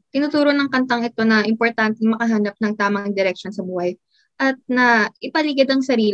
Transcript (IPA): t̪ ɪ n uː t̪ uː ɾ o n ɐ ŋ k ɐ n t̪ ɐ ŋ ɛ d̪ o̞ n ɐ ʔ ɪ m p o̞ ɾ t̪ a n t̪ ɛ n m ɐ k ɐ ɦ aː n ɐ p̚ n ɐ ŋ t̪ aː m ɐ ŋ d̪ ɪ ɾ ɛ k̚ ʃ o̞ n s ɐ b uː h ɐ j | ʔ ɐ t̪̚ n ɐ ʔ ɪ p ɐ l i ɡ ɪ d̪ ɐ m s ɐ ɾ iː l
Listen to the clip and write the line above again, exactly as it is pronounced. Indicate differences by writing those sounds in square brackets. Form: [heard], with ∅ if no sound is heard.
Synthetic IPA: t̪ ɪ n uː t̪ uː ɾ o n ɐ ŋ k ɐ n t̪ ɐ ŋ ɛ [t̪] o̞ n ɐ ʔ ɪ m p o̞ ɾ t̪ a n t̪ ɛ [ŋ] m ɐ k ɐ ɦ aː n ɐ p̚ n ɐ ŋ t̪ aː m ɐ ŋ d̪ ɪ ɾ ɛ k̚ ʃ o̞ n s ɐ b uː h ɐ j | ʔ ɐ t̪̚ n ɐ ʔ ɪ p ɐ l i ɡ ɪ d̪ ɐ [ŋ] s ɐ ɾ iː l